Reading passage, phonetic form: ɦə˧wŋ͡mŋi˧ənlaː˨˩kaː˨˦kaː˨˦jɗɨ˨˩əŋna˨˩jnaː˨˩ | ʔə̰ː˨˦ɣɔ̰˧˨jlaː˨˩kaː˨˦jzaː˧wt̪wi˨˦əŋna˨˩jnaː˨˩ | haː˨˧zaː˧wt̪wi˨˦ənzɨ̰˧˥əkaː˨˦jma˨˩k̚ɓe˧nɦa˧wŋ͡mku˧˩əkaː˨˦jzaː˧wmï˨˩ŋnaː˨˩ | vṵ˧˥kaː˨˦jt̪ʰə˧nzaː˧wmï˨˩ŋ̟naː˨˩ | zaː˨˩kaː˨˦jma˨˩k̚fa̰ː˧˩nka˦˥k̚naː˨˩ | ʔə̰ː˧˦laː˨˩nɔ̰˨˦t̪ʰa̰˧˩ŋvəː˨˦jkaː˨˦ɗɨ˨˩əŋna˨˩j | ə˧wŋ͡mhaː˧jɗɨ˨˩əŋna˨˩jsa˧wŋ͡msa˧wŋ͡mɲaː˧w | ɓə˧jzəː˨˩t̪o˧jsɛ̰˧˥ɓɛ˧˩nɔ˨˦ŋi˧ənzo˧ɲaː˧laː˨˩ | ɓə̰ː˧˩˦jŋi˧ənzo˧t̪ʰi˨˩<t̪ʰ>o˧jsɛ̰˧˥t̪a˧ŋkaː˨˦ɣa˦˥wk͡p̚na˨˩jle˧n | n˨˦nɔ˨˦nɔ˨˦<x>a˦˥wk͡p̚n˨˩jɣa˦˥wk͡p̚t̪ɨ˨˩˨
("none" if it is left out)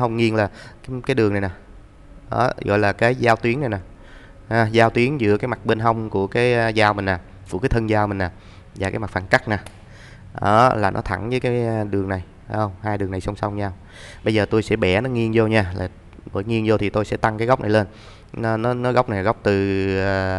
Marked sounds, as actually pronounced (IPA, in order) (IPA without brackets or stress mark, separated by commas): t̪, ɣ